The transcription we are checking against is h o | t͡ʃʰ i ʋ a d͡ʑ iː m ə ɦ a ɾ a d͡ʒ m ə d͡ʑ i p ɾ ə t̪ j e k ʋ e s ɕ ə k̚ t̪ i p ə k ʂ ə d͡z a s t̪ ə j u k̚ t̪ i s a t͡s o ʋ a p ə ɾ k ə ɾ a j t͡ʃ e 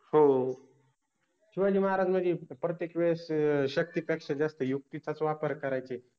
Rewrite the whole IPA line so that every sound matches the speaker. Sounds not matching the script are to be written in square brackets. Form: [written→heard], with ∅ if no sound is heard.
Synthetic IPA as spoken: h o | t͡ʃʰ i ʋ a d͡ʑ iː m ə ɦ a ɾ a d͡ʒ m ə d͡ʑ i p ɾ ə t̪ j e k ʋ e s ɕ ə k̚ t̪ i p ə k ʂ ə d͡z a s t̪ ə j u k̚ t̪ i [s→t͡s] a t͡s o ʋ a p ə ɾ k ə ɾ a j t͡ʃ e